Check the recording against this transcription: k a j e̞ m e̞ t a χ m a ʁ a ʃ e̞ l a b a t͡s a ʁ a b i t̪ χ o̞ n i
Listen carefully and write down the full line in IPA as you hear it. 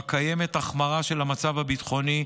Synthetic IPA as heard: k a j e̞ m e̞ t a χ m a ʁ a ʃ e̞ l a m a t͡s a v a b i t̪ χ o̞ n i